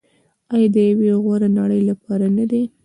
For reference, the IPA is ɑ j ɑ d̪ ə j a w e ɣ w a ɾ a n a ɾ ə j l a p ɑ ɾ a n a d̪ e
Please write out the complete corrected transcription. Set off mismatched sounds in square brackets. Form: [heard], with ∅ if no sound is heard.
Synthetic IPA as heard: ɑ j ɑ d̪ ə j a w e ɣ w a ɾ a n a [ɽ] ə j l a p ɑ ɾ a n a d̪ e